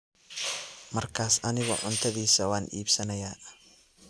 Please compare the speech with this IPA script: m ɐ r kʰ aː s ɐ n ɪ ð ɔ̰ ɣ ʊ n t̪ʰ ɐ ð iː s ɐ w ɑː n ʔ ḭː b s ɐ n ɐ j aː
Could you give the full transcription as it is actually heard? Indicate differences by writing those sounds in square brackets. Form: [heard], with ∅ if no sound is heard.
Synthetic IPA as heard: m ɐ r kʰ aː s ɐ n ɪ [ɣ] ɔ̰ [ʕ] ʊ n t̪ʰ ɐ ð iː s ɐ w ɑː n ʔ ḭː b s ɐ n ɐ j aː

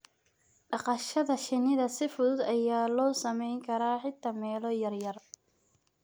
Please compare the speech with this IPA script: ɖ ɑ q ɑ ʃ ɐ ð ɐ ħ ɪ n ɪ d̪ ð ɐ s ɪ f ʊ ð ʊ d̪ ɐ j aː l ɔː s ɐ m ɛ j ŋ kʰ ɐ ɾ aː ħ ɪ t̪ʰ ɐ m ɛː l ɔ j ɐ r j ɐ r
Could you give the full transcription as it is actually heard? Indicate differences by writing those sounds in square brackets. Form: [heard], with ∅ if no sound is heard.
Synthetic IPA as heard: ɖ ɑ q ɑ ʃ ɐ ð ɐ [ʃ] ɪ n ɪ [∅] ð ɐ s ɪ f ʊ ð ʊ d̪ ɐ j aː l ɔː s ɐ m ɛ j ŋ kʰ ɐ ɾ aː ħ ɪ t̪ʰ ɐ m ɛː l ɔ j ɐ r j ɐ r

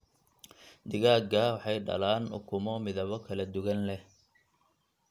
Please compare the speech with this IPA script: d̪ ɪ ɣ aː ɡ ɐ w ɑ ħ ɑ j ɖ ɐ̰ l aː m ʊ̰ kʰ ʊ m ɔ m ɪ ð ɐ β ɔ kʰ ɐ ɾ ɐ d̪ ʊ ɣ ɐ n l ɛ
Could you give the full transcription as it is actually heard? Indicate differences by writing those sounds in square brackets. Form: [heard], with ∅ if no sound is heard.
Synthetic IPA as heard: d̪ ɪ ɣ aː ɡ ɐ w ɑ ħ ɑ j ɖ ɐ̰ l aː [n] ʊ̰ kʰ ʊ m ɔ m ɪ ð ɐ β ɔ kʰ ɐ [l] ɐ d̪ ʊ ɣ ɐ n l ɛ

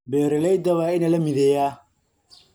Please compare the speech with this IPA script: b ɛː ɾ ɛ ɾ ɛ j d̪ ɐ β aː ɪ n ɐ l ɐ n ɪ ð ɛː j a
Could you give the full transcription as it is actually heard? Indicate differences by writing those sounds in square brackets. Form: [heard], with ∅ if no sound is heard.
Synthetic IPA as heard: b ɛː ɾ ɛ [l] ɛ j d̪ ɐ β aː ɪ n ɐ l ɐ [m] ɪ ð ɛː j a

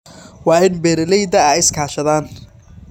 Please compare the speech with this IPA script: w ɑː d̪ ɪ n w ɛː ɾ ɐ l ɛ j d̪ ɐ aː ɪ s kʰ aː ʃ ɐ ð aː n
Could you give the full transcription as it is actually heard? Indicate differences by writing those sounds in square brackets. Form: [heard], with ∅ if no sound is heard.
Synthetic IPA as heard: w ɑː [∅] ɪ n [b] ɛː ɾ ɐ l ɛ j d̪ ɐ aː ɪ s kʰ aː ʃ ɐ ð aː n

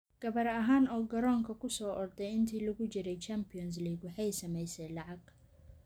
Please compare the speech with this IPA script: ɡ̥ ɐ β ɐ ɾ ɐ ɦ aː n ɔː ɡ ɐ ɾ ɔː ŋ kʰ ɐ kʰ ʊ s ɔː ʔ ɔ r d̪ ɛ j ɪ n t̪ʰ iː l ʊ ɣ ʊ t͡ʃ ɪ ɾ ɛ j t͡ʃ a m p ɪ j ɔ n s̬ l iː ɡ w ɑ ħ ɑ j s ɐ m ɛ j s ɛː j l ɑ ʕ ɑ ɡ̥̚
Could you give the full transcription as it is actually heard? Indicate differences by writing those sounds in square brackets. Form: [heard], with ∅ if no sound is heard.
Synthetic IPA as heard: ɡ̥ ɐ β ɐ ɾ ɐ ɦ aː n ɔː ɡ ɐ ɾ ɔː ŋ kʰ ɐ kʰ ʊ s ɔː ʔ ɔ r d̪ ɛ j ɪ n t̪ʰ iː l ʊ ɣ ʊ t͡ʃ ɪ ɾ ɛ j t͡ʃ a m p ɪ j ɔ n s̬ l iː ɡ w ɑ ħ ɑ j s ɐ m ɛ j s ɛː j l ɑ ʕ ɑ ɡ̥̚

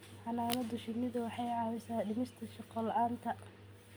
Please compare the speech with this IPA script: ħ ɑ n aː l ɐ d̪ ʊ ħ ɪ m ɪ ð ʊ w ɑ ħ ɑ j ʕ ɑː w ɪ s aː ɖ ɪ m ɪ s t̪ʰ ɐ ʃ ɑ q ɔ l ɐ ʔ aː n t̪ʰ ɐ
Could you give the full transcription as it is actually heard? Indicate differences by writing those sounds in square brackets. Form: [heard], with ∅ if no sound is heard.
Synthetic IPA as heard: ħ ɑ n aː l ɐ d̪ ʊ [ʃ] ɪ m ɪ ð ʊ w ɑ ħ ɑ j ʕ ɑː w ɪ s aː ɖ ɪ m ɪ s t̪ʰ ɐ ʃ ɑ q ɔ l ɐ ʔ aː n t̪ʰ ɐ

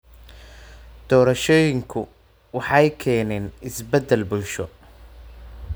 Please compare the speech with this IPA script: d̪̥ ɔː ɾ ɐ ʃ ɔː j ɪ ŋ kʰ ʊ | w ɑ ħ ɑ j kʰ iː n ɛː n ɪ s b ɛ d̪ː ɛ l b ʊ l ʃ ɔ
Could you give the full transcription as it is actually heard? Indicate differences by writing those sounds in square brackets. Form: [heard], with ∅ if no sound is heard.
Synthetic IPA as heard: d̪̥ ɔː ɾ ɐ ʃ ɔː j ɪ ŋ kʰ ʊ | w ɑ ħ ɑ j kʰ [ɛː] n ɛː n ɪ s b ɛ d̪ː ɛ l b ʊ l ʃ ɔ

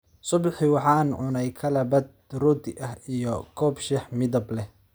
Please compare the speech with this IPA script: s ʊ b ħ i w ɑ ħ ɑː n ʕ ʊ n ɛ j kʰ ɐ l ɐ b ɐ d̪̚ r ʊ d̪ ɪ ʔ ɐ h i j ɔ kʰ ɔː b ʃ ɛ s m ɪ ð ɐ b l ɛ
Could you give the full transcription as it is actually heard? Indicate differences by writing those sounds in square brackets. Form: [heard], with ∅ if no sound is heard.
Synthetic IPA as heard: s ʊ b ħ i w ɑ ħ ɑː n ʕ ʊ n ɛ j kʰ ɐ l ɐ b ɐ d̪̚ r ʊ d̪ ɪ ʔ ɐ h i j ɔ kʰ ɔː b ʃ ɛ [ħ] m ɪ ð ɐ b l ɛ

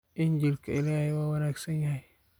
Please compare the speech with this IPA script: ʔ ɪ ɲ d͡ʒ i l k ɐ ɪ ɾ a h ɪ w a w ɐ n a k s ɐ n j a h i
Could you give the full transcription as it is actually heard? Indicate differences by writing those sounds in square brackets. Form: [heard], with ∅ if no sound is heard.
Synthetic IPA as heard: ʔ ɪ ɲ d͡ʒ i l k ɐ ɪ [l] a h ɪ w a w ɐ n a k s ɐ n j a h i

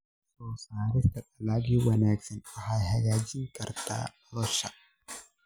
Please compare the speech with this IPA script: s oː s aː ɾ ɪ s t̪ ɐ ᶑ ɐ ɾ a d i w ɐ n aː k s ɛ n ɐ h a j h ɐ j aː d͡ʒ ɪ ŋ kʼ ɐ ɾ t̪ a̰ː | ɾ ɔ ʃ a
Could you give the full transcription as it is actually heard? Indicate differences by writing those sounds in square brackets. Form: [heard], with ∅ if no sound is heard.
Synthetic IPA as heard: s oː s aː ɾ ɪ s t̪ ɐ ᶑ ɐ [l] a [ɡ] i w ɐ n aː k s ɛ n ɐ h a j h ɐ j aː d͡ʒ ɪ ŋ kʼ ɐ ɾ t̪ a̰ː | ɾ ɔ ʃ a

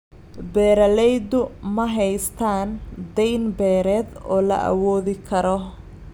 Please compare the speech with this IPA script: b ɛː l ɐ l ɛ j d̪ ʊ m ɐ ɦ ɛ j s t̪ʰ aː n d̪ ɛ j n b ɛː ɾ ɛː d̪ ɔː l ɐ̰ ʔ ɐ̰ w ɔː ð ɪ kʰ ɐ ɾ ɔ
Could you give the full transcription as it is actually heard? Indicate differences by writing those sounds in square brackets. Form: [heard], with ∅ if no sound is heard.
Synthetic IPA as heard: b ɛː [ɾ] ɐ l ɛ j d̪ ʊ m ɐ ɦ ɛ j s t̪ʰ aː n d̪ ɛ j n b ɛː ɾ ɛː d̪ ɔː l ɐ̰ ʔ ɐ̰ w ɔː ð ɪ kʰ ɐ ɾ ɔ

